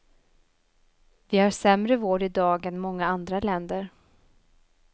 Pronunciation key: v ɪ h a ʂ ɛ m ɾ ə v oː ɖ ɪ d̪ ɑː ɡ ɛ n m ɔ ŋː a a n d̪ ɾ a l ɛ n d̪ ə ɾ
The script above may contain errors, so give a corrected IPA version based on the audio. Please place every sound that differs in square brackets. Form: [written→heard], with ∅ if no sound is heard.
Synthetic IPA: v ɪ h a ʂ ɛ m ɾ ə v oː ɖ ɪ d̪ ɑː ɡ ɛ n m ɔ ŋː a a n d̪ ɾ a l ɛ n d̪ ə ɾ